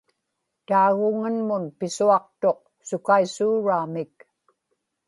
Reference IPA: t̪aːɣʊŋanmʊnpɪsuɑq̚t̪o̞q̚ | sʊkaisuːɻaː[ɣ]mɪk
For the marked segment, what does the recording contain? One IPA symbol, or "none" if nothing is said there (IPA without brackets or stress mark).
none